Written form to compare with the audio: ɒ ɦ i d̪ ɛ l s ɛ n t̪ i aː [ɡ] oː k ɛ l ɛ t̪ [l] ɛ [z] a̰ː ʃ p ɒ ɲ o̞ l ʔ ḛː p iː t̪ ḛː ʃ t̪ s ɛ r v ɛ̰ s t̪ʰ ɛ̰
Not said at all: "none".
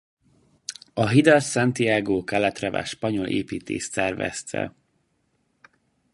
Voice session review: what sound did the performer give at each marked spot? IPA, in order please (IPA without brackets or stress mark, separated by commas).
ɡ, r, v